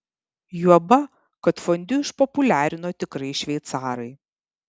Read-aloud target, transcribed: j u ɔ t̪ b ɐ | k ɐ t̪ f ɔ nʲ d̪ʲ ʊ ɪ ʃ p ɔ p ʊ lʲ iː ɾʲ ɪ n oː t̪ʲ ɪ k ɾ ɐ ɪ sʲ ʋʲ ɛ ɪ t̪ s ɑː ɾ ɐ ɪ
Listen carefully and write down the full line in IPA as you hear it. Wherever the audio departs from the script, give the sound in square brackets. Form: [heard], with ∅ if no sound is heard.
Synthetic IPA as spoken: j u ɔ [∅] b ɐ | k ɐ t̪ f ɔ nʲ d̪ʲ ʊ ɪ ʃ p ɔ p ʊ lʲ [æː] ɾʲ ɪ n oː t̪ʲ ɪ k ɾ ɐ ɪ [ʃʲ] ʋʲ ɛ ɪ t̪ s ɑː ɾ ɐ ɪ